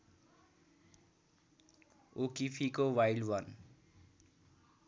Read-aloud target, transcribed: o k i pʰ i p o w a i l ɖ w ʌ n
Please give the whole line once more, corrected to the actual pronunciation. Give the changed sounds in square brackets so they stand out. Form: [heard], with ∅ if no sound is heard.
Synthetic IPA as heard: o k i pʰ i [k] o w a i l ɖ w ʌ n